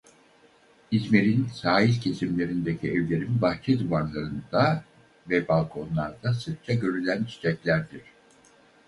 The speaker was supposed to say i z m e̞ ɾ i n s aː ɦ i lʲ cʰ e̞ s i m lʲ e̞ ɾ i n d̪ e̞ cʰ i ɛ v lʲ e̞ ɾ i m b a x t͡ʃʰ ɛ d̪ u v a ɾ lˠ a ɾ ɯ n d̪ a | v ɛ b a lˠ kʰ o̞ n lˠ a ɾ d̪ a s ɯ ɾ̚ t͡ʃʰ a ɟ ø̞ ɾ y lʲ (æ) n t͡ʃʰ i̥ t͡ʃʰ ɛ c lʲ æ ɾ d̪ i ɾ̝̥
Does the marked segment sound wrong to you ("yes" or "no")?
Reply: no